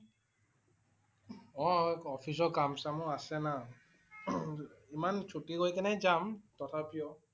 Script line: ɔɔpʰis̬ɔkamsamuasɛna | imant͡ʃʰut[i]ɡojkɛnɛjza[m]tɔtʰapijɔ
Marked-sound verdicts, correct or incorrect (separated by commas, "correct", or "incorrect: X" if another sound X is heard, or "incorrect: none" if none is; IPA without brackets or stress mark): correct, correct